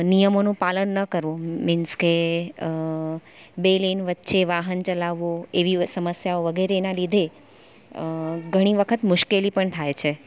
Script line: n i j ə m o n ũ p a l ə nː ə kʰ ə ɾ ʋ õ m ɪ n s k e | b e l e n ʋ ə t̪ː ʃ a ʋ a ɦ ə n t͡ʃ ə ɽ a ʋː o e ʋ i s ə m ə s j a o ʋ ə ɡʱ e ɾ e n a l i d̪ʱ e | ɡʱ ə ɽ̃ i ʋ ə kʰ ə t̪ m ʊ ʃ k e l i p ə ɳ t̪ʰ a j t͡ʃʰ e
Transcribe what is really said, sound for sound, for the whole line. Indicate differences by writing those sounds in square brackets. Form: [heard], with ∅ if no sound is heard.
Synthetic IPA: n i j ə m o n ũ p a l ə nː ə [k] ə ɾ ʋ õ m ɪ n s k e | b e l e n ʋ ə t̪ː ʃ [e] ʋ a ɦ ə n t͡ʃ ə [l] a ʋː o e ʋ i s ə m ə s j a o ʋ ə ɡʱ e ɾ e n a l i d̪ʱ e | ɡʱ ə ɽ̃ i ʋ ə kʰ ə t̪ m ʊ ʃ k e l i p ə ɳ t̪ʰ a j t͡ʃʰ e